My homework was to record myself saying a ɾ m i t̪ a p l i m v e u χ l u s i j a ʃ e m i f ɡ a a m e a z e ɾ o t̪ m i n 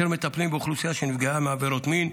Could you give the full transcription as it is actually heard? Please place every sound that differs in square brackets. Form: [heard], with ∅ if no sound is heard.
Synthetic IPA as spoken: [e] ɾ m [e] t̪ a p l i m [b] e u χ l u s i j a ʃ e [n] i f ɡ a a m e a [v] e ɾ o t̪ m i n